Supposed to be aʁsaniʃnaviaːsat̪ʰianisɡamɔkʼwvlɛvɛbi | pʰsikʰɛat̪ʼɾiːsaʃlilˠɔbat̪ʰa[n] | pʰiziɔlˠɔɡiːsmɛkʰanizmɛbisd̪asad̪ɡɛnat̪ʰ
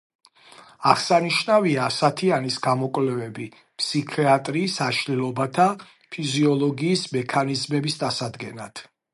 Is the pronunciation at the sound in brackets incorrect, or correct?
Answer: incorrect: none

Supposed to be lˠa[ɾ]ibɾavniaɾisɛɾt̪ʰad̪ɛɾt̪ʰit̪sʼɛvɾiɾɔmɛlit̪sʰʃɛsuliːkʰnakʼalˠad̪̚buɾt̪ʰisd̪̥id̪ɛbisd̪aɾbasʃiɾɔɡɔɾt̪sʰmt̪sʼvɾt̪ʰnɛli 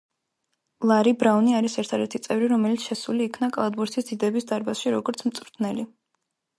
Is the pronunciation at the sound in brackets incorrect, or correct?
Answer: correct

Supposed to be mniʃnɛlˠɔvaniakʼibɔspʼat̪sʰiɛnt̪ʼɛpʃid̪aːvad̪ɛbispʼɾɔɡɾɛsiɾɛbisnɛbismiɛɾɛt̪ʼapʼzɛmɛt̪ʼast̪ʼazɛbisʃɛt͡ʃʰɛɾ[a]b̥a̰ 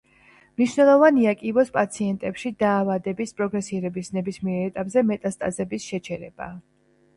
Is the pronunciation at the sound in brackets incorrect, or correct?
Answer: incorrect: ɛ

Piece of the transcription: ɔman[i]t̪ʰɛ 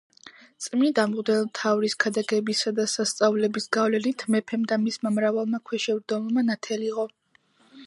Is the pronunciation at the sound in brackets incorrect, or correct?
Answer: incorrect: a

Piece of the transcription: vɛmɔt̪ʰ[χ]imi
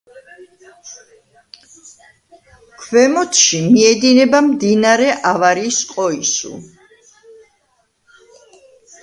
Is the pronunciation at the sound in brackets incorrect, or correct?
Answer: incorrect: ʃ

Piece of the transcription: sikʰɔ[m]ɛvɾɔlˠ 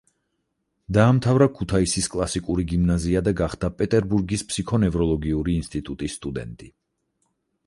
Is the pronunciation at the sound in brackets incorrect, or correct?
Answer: incorrect: n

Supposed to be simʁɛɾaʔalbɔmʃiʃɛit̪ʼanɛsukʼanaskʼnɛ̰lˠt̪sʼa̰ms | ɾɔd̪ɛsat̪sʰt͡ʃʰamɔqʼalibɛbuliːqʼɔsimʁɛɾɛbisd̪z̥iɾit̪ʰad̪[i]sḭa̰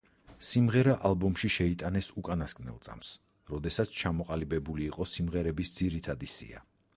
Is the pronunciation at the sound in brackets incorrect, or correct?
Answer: correct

